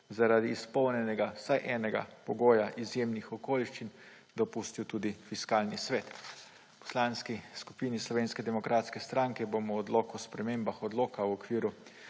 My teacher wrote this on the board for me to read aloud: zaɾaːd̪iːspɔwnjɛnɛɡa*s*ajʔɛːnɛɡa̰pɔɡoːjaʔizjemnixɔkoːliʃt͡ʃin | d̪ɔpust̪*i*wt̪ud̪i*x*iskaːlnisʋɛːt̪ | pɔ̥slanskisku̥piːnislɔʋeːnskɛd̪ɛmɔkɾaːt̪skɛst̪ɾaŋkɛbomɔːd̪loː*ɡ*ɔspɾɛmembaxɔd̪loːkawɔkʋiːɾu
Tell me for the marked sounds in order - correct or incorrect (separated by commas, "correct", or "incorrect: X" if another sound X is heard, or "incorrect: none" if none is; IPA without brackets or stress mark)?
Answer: correct, correct, incorrect: f, incorrect: k